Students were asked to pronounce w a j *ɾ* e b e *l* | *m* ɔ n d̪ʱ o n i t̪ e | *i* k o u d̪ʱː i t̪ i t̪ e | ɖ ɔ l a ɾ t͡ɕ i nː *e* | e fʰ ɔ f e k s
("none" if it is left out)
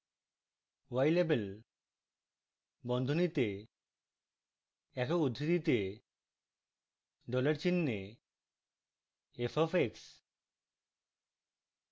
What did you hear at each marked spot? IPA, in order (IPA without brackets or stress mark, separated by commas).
l, l, b, ɛ, e